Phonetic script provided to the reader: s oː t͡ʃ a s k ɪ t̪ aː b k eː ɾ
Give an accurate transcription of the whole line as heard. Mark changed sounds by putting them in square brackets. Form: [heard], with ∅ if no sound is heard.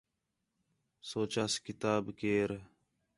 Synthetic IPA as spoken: s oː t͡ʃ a s k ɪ t̪ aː b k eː ɾ